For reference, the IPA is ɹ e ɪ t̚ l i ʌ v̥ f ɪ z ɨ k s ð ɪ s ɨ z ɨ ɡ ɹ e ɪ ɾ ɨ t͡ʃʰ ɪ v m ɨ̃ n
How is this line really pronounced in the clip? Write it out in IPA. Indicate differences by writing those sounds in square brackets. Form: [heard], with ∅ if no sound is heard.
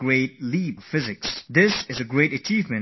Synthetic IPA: ɹ e ɪ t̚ l i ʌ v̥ f ɪ z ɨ k s ð ɪ s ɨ z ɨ ɡ ɹ e ɪ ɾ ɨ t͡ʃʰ [i] v m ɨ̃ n